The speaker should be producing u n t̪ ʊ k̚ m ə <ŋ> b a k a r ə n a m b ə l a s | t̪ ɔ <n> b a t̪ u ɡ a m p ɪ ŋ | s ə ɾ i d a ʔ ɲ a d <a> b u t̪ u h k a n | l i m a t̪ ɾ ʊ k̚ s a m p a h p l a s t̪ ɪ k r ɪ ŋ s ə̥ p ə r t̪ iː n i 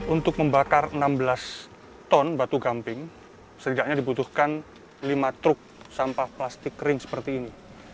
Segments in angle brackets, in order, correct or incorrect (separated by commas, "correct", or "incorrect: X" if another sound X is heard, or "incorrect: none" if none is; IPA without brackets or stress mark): incorrect: m, correct, incorrect: i